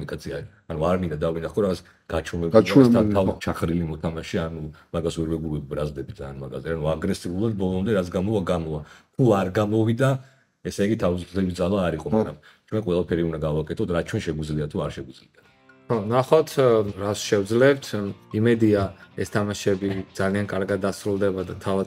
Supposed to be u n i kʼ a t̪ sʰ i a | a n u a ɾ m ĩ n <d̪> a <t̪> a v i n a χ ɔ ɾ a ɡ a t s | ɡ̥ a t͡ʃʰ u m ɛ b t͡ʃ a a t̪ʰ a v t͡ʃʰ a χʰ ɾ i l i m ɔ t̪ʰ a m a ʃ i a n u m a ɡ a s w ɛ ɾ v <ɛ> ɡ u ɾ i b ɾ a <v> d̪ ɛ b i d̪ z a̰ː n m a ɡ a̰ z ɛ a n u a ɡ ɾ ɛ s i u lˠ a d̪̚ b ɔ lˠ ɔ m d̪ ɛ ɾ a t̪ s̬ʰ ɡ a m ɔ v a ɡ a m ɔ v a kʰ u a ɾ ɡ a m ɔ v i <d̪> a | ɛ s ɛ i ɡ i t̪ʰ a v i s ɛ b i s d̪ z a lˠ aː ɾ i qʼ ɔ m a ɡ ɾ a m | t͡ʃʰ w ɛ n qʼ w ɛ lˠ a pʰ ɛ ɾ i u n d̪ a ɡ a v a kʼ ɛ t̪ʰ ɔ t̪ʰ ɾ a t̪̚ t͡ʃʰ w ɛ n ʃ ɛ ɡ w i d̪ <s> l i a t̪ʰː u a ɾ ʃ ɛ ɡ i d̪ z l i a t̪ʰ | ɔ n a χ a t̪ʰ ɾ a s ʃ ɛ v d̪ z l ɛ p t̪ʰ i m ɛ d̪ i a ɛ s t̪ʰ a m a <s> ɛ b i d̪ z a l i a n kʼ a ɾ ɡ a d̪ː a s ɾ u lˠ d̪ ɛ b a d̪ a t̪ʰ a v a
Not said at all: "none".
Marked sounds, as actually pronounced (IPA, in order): d̪, d̪, ɛ, z, d̪, z, ʃ

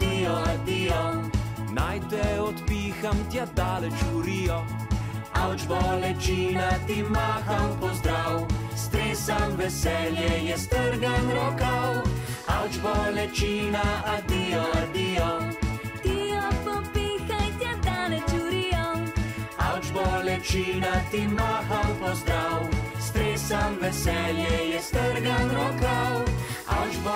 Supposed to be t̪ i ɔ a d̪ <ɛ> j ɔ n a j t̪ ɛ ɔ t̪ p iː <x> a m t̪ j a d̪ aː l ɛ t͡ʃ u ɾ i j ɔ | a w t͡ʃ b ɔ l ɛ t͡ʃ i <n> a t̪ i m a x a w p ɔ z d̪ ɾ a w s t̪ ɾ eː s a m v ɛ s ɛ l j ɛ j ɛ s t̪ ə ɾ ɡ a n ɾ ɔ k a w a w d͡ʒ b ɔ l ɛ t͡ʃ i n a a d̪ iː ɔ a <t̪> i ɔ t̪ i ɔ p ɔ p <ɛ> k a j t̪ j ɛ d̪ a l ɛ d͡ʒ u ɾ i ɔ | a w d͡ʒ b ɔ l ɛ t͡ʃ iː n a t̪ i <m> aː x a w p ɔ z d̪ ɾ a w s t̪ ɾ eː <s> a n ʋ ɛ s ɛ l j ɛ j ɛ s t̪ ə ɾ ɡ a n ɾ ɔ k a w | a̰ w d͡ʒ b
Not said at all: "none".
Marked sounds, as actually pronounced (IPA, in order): i, x, n, d̪, i, m, s

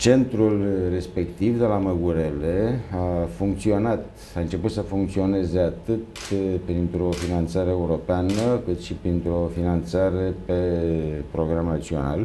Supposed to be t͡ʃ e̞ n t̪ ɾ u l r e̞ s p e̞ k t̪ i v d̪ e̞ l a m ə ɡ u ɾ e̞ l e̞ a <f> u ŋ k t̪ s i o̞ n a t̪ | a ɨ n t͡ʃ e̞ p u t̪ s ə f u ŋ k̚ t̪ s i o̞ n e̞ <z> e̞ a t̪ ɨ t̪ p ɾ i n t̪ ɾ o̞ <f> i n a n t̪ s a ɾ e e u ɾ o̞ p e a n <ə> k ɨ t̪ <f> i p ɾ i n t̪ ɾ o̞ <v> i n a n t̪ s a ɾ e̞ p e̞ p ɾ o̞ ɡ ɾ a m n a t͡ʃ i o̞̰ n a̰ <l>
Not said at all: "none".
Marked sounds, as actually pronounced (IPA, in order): f, z, f, ə, ʃ, f, l

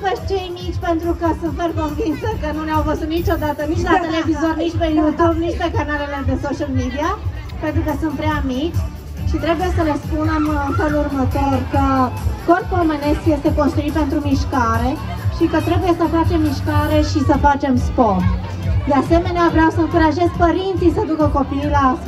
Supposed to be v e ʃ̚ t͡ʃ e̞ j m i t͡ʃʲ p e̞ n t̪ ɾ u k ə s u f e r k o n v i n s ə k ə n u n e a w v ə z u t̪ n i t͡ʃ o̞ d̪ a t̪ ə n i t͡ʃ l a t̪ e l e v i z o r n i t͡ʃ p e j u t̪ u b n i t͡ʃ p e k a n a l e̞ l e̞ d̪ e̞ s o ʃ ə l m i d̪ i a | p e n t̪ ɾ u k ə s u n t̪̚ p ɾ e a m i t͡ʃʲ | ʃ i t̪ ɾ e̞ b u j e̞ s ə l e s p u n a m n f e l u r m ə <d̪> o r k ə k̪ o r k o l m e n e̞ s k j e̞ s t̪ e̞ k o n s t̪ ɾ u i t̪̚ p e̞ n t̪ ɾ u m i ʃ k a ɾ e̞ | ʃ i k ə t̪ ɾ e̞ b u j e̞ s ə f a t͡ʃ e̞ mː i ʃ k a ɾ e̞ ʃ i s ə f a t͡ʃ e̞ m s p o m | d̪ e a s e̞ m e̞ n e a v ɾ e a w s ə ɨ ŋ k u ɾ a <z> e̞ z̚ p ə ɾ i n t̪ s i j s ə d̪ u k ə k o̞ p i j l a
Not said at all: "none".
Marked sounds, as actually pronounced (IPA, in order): t̪, ʒ

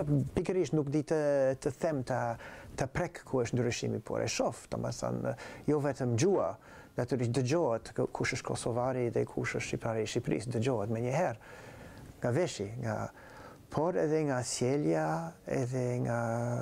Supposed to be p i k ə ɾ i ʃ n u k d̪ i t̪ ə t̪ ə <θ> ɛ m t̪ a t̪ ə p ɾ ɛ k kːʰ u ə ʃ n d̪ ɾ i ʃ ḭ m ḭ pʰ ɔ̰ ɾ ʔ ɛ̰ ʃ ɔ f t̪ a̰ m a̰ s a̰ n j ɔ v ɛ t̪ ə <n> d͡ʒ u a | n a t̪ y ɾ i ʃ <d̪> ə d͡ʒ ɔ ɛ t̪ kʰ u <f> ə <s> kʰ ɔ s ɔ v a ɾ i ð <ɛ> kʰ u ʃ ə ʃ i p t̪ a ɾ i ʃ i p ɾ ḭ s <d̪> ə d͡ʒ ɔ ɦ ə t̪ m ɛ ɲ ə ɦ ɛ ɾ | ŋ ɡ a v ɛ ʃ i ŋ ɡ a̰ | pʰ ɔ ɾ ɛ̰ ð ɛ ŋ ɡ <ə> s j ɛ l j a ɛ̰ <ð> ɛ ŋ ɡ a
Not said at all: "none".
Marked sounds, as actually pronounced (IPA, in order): θ, m, d̪, ʃ, ʃ, ɛ, d̪, a, ð

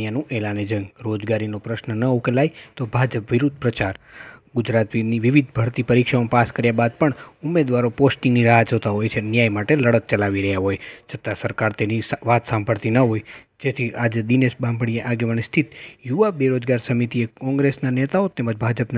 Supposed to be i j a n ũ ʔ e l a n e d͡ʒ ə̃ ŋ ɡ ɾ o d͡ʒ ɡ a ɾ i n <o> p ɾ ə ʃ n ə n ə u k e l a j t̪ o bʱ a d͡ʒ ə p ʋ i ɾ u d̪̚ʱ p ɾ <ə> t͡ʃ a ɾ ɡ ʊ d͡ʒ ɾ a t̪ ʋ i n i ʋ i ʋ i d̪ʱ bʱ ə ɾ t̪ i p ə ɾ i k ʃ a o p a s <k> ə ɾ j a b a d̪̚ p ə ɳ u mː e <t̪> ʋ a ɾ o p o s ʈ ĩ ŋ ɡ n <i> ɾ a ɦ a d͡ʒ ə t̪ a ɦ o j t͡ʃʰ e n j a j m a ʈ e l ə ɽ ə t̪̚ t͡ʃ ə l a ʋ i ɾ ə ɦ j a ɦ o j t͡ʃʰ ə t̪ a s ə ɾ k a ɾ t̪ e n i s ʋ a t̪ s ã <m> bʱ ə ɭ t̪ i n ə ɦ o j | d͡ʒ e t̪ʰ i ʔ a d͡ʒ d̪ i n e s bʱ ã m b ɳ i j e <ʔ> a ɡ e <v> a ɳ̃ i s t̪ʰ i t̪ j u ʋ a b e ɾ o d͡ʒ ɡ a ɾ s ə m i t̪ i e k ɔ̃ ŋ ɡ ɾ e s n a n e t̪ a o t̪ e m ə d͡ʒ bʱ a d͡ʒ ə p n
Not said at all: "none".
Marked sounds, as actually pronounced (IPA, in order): o, ə, k, d̪, i, m, ʔ, ʋ

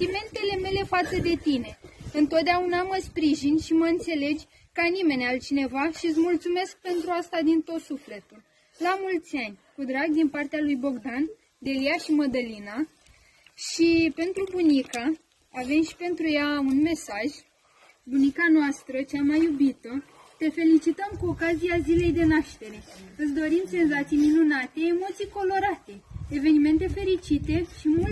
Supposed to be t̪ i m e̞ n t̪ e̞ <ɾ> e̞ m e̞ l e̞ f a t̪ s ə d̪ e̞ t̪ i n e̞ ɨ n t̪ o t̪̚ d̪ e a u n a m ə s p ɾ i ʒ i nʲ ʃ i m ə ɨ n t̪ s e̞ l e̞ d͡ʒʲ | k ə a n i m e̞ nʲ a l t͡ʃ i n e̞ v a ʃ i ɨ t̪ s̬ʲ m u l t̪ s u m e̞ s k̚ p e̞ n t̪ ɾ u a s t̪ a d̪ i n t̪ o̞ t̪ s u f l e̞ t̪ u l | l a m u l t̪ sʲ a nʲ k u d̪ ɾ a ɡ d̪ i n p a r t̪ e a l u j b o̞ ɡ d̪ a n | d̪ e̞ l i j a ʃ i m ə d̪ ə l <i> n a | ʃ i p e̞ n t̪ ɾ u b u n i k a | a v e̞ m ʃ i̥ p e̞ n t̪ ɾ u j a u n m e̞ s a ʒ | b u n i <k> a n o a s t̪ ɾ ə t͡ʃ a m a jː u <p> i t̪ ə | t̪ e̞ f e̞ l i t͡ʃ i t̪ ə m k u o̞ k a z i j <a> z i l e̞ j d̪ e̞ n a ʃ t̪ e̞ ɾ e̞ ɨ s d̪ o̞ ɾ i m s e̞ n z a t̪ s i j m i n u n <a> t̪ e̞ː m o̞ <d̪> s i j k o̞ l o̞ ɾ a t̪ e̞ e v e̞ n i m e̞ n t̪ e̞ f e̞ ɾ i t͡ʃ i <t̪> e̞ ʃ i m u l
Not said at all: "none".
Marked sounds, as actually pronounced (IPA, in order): l, i, k, b, a, a, t̪, t̪

